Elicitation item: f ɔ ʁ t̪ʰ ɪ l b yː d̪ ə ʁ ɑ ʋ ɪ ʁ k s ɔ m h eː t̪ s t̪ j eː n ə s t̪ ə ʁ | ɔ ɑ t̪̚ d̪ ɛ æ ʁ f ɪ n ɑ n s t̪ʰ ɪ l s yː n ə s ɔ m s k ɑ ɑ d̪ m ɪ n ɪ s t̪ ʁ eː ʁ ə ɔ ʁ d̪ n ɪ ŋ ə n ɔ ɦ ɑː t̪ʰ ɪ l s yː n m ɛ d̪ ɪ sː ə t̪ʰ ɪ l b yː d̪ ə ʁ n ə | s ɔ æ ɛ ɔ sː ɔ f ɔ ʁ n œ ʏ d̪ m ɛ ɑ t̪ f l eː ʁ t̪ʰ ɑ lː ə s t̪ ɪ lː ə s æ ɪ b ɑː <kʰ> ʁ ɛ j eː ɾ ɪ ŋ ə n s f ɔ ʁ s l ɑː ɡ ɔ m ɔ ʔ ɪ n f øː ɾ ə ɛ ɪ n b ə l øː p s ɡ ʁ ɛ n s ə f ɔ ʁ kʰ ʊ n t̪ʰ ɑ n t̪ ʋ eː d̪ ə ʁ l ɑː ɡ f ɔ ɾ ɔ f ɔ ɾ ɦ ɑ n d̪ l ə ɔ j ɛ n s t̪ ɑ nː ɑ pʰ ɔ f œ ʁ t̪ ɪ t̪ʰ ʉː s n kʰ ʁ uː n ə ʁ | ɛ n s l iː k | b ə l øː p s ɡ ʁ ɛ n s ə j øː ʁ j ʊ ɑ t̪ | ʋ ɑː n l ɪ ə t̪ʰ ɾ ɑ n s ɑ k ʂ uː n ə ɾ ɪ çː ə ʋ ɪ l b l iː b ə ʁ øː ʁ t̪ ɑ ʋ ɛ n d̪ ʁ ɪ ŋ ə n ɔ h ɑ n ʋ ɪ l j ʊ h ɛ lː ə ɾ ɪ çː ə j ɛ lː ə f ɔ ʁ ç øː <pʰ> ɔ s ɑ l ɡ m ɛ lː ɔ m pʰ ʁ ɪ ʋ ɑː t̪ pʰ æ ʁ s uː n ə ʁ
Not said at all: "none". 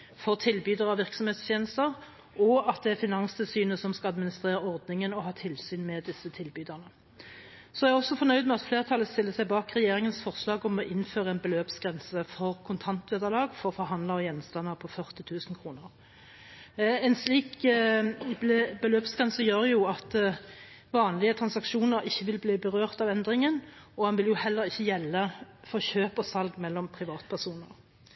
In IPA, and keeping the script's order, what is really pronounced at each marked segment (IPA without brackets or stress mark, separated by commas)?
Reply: k, p